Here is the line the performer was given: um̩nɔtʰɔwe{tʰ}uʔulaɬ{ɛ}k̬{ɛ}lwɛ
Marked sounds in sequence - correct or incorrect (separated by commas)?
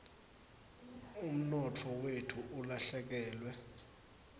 correct, correct, incorrect